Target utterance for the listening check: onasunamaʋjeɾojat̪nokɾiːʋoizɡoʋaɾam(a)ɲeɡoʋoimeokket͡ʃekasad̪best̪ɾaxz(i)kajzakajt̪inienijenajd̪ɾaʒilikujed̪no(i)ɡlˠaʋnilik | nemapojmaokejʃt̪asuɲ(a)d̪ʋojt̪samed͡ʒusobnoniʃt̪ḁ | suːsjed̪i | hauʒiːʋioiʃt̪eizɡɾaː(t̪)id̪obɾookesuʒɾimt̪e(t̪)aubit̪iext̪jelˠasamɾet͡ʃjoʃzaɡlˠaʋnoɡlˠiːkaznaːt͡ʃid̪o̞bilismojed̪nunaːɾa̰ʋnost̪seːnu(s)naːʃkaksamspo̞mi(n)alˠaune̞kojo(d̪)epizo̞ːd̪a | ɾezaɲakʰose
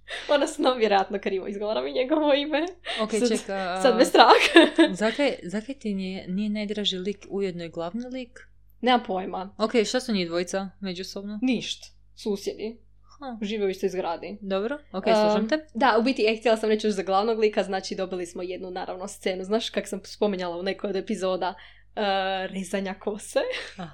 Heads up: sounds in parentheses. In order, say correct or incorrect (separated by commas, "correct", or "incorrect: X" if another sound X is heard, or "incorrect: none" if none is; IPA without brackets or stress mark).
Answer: incorrect: i, incorrect: a, incorrect: j, incorrect: i, incorrect: d̪, incorrect: d̪, incorrect: z, incorrect: ɲ, correct